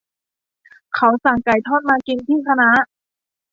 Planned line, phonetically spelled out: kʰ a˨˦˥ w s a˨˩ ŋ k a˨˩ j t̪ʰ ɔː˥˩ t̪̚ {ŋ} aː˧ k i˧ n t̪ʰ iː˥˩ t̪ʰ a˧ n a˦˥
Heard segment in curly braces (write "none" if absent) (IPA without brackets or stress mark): m